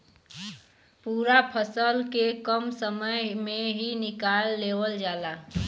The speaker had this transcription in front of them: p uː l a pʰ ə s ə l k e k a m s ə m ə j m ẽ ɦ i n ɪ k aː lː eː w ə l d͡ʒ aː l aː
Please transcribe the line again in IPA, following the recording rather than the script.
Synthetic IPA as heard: p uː ɾ a pʰ ə s ə l k e k ə m s ə m ə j m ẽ ɦ i n ɪ k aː lː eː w ə l d͡ʒ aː l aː